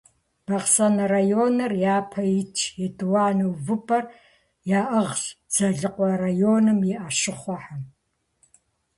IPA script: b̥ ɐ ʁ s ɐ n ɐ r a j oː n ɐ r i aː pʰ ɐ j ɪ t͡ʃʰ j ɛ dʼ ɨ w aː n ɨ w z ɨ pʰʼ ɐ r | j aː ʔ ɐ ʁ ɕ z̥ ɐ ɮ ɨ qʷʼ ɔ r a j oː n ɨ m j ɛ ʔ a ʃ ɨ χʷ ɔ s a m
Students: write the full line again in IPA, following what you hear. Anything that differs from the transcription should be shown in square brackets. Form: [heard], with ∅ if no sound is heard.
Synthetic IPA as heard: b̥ ɐ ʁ s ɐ n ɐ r a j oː n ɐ r [j] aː pʰ ɐ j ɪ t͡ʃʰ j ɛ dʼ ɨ w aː n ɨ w [v] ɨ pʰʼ ɐ r | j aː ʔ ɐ ʁ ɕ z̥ ɐ ɮ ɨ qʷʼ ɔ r a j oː n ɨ m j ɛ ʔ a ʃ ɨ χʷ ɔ [ħ] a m